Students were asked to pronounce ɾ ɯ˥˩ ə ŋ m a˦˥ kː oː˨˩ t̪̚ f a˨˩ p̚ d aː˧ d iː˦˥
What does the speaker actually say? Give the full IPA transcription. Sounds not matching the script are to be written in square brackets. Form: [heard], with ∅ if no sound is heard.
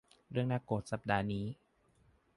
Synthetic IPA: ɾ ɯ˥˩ ə ŋ [n] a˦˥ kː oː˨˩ t̪̚ [s] a˨˩ p̚ d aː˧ [n] iː˦˥

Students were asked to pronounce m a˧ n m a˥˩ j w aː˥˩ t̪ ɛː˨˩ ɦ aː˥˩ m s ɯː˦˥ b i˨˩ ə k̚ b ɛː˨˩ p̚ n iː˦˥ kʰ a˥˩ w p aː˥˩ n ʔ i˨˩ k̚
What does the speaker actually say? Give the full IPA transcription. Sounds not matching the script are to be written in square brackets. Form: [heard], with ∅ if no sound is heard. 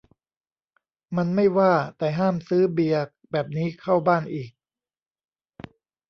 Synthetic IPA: m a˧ n m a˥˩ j w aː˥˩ t̪ ɛː˨˩ ɦ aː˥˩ m s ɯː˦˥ b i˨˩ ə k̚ b ɛː˨˩ p̚ n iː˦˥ kʰ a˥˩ w [b] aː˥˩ n ʔ [iː˨˩] k̚

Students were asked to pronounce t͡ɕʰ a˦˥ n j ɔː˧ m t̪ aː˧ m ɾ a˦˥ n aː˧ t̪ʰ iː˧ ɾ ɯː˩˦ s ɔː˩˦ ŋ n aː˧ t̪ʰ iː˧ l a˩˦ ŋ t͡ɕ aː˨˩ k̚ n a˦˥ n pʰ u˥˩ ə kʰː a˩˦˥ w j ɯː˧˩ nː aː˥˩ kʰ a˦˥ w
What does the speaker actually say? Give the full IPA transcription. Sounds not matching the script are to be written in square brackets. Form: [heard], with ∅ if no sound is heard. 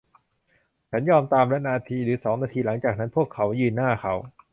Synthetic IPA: t͡ɕʰ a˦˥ n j ɔː˧ m t̪ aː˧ m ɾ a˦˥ n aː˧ t̪ʰ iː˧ ɾ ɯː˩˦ s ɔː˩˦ ŋ n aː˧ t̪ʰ iː˧ l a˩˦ ŋ t͡ɕ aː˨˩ k̚ n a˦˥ n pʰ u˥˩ ə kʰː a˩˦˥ w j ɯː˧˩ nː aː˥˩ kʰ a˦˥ w

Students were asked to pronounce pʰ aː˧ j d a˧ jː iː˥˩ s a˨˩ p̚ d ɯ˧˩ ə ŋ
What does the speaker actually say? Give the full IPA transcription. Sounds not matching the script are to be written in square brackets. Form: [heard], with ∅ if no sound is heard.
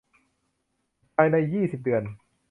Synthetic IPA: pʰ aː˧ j [n] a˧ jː iː˥˩ s [i˨˩] p̚ d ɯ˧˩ ə [n]

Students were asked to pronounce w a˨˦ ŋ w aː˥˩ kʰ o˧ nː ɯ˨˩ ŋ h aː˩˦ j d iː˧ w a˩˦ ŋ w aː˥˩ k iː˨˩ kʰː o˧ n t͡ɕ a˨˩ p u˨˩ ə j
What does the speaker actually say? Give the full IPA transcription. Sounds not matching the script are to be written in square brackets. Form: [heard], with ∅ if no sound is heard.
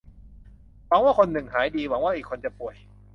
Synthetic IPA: w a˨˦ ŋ w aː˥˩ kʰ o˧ nː ɯ˨˩ ŋ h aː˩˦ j d iː˧ w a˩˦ ŋ w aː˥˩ [ʔ] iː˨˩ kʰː o˧ n t͡ɕ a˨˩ p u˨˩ ə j

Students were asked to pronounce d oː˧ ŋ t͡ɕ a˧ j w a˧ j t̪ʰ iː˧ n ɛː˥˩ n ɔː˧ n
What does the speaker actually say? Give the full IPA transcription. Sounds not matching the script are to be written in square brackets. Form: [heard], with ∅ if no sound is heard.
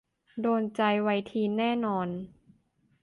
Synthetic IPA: d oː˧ [n] t͡ɕ a˧ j w a˧ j t̪ʰ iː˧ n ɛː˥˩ n ɔː˧ n

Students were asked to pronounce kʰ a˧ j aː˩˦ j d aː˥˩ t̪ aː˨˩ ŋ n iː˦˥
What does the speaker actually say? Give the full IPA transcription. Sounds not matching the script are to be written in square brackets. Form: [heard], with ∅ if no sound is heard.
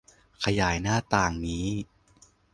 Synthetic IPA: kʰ a˧ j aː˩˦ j [n] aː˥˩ t̪ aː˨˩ ŋ n iː˦˥

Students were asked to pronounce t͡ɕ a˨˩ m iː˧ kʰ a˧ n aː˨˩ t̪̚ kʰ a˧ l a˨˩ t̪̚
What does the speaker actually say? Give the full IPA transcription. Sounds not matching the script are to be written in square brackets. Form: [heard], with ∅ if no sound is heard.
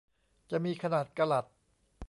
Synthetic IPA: t͡ɕ a˨˩ m iː˧ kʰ a˧ n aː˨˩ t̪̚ [k] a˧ l a˨˩ t̪̚

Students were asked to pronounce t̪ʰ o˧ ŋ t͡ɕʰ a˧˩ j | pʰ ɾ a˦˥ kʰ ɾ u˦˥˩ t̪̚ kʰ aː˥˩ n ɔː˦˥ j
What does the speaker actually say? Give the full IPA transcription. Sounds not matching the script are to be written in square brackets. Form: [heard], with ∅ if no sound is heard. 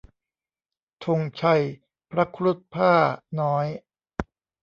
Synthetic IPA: t̪ʰ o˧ ŋ t͡ɕʰ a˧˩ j | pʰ ɾ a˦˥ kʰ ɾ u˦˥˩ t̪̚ [pʰ] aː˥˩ n ɔː˦˥ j

